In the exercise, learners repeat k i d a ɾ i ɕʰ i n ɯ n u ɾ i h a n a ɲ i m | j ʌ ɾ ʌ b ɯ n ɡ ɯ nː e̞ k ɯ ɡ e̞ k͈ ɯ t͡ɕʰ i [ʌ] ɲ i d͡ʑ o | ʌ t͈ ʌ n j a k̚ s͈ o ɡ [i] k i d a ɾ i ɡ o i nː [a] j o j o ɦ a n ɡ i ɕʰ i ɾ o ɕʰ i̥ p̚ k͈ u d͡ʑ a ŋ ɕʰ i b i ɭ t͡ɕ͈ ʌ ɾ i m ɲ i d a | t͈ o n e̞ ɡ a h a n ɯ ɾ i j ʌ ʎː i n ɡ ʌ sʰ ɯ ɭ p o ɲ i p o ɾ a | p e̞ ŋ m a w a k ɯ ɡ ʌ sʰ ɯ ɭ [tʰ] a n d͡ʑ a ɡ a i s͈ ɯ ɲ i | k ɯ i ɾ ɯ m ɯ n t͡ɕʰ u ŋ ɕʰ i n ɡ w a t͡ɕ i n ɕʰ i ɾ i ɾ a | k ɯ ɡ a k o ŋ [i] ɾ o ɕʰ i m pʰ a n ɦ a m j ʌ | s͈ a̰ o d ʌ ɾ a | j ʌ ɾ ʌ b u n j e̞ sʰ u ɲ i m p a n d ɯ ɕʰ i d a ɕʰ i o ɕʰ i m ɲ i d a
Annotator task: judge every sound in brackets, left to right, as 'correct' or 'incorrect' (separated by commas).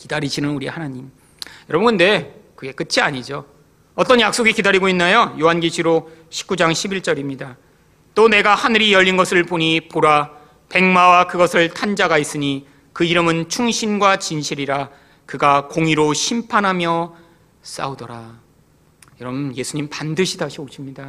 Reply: incorrect, correct, correct, correct, correct